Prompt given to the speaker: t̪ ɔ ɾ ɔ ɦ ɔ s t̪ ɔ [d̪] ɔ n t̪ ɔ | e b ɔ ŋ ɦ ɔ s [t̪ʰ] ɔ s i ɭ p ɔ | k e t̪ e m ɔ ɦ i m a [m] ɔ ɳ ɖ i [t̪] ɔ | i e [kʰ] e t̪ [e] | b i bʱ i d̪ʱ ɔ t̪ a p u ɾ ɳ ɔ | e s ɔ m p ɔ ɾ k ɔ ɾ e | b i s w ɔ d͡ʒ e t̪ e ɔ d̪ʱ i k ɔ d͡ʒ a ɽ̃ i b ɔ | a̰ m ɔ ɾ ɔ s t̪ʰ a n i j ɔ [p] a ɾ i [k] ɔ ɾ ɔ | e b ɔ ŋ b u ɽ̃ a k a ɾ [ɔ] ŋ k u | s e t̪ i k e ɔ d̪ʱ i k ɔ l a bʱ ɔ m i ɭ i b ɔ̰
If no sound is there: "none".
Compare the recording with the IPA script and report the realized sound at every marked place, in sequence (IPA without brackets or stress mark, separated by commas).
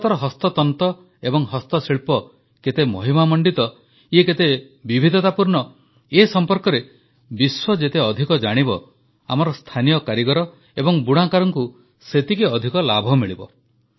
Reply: t̪, t̪, m, t̪, k, e, k, ɡ, ɔ